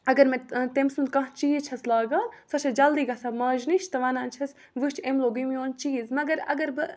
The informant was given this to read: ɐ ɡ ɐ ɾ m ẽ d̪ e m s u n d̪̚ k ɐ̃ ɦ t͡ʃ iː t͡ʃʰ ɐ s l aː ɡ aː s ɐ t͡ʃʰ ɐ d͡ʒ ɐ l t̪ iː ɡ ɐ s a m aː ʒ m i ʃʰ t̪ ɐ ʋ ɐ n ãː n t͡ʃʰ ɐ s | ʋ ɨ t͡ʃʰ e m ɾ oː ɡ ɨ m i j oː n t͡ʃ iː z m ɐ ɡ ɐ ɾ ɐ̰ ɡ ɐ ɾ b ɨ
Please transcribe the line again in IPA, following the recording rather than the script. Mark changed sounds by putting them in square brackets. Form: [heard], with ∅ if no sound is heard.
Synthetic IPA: ɐ ɡ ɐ ɾ m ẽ [t̪] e m s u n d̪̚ k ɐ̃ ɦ t͡ʃ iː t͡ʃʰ ɐ s l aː ɡ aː s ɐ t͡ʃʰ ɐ d͡ʒ ɐ l [d̪] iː ɡ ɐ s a m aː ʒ [n] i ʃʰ t̪ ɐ ʋ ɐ n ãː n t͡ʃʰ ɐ s | ʋ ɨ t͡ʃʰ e m [l] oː ɡ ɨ m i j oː n t͡ʃ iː z m ɐ ɡ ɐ ɾ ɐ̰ ɡ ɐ ɾ b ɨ